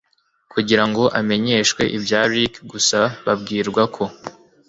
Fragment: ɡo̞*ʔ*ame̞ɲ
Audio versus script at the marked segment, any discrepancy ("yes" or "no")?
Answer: no